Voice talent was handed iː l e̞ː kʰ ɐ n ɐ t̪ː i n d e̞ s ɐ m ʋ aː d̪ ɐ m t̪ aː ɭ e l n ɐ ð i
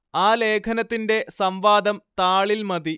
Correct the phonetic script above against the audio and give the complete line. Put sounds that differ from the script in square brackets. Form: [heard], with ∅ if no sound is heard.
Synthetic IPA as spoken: [aː] l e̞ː kʰ ɐ n ɐ t̪ː i n d e̞ s ɐ m ʋ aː d̪ ɐ m t̪ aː ɭ [i] l [m] ɐ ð i